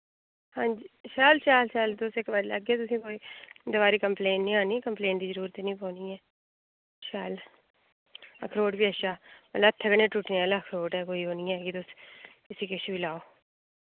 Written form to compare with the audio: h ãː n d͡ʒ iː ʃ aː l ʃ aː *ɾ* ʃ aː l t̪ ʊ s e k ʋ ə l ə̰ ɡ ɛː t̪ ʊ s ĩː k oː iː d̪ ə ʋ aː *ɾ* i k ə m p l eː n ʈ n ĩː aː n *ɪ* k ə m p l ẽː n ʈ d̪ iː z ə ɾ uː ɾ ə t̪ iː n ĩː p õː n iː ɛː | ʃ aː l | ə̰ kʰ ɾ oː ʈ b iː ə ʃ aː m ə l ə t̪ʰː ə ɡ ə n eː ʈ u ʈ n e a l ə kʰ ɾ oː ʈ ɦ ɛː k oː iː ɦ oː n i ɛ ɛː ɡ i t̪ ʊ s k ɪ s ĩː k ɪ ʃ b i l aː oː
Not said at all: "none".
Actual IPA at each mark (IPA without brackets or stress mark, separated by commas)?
l, ɾ, i